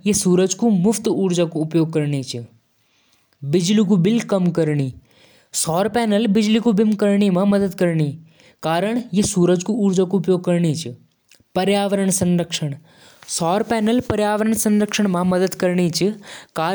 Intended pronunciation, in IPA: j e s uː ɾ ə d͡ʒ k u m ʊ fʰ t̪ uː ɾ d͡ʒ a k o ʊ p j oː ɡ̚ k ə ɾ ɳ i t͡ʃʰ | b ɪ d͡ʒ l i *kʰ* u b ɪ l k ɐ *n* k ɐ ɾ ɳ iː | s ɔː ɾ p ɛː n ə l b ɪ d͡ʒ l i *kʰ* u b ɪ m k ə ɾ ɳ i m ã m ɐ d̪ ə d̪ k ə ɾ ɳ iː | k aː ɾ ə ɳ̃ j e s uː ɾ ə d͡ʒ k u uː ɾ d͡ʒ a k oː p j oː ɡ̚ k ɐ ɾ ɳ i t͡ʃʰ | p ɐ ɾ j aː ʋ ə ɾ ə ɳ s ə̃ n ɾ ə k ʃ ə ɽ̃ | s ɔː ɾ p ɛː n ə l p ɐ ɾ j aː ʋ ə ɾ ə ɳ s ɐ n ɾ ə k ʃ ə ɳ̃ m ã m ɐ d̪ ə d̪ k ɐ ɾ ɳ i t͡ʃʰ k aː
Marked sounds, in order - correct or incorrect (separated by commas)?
incorrect, incorrect, incorrect